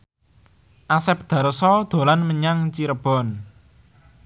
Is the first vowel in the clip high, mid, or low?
low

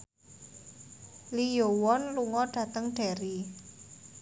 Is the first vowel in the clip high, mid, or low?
high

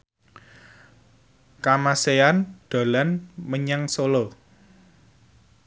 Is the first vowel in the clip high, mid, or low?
low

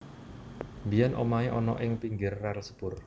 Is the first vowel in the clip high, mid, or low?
high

